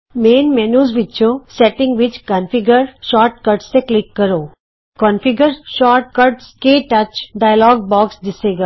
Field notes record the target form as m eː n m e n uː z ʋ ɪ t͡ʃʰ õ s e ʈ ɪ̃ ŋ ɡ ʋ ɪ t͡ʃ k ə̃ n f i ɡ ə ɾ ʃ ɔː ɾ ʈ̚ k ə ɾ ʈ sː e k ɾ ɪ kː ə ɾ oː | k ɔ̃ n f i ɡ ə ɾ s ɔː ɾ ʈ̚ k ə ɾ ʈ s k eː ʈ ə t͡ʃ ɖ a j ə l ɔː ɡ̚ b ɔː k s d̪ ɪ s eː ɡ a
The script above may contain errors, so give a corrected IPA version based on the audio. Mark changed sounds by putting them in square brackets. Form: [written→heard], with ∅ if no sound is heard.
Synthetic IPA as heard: m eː n m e n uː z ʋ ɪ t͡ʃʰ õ s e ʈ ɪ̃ ŋ ɡ ʋ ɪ t͡ʃ k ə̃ n f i ɡ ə ɾ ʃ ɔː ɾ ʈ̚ k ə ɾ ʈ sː e k [ɾ→l] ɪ kː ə ɾ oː | k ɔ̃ n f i ɡ ə ɾ [s→ʃ] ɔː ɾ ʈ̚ k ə ɾ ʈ s k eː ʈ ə t͡ʃ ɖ a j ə l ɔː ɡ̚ b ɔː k s d̪ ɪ s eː ɡ a